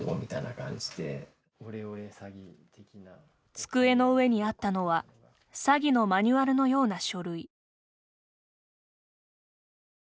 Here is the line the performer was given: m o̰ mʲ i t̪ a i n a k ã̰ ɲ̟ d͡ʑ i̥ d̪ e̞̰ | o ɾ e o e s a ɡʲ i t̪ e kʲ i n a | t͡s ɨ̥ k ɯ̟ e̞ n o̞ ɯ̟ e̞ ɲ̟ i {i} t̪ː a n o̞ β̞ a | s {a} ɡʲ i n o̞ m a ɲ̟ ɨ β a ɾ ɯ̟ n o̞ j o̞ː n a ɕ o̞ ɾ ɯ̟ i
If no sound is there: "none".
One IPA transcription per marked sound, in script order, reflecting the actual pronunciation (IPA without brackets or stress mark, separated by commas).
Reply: a, a